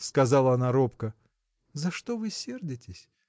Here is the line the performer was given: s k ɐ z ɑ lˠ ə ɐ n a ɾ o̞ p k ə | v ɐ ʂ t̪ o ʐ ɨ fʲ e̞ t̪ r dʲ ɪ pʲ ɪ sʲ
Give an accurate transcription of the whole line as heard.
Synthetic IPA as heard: s k ɐ z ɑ lˠ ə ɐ n a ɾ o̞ p k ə | z ɐ ʂ t̪ o v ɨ sʲ e̞ r dʲ ɪ tʲ ɪ sʲ